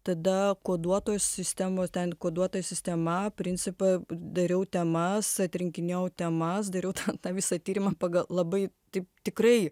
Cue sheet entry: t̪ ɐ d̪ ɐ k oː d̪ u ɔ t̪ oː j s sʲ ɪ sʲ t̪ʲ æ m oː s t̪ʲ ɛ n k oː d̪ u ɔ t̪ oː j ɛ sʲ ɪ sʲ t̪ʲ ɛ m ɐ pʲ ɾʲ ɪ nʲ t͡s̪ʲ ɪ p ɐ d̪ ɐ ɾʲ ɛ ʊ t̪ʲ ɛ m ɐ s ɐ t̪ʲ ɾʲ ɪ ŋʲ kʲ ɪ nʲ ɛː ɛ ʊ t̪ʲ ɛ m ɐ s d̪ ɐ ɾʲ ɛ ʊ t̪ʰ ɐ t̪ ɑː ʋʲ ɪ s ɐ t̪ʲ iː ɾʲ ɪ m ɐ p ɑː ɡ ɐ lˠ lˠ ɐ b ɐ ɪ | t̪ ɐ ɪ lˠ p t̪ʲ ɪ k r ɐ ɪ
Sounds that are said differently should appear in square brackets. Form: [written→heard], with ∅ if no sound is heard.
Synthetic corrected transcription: t̪ ɐ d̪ ɐ k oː d̪ u ɔ t̪ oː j s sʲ ɪ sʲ t̪ʲ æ m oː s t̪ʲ ɛ n k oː d̪ u ɔ t̪ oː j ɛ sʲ ɪ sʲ t̪ʲ ɛ m ɐ pʲ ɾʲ ɪ nʲ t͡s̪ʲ ɪ p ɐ d̪ ɐ ɾʲ ɛ ʊ t̪ʲ ɛ m ɐ s ɐ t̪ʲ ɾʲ ɪ ŋʲ kʲ ɪ nʲ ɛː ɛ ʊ t̪ʲ ɛ m ɐ s d̪ ɐ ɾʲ ɛ ʊ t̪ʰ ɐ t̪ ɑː ʋʲ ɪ s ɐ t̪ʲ iː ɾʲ ɪ m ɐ p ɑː ɡ ɐ lˠ lˠ ɐ b ɐ ɪ | t̪ ɐ ɪ [lˠ→∅] p t̪ʲ ɪ k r ɐ ɪ